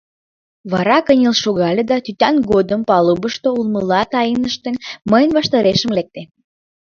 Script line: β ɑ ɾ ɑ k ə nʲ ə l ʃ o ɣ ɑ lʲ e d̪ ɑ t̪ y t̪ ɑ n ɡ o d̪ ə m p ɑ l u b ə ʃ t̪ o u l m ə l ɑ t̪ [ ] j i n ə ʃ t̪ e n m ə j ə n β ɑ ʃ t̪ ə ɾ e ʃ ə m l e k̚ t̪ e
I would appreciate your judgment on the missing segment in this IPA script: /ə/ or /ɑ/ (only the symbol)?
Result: ɑ